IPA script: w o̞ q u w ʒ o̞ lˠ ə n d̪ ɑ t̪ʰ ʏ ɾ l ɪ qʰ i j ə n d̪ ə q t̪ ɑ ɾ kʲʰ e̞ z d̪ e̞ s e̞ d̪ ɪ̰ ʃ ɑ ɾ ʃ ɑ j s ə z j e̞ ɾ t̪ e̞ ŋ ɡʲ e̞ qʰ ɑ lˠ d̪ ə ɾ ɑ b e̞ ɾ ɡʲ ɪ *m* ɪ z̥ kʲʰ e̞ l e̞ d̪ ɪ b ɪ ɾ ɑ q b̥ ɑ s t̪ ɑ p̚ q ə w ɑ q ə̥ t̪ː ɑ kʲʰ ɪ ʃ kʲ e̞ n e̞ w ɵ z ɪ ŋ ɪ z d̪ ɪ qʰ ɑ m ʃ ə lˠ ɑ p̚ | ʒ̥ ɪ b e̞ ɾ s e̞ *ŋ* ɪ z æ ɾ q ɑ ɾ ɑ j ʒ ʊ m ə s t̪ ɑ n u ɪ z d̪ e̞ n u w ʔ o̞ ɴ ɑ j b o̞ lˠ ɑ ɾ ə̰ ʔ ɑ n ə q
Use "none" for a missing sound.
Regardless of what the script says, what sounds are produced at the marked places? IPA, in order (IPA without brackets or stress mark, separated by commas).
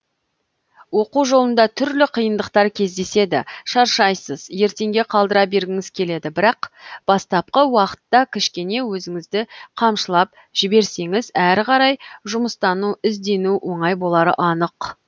ŋ, ŋ